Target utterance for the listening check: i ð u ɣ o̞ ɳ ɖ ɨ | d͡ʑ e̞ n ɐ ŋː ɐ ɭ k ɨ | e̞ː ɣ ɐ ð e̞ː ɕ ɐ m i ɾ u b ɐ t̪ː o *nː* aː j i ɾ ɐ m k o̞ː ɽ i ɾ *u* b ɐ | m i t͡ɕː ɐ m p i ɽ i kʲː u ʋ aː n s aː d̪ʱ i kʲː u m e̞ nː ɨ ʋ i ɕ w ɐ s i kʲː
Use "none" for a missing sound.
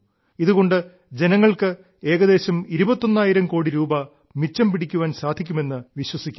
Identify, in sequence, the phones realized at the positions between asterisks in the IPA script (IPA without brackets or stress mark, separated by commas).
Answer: nː, uː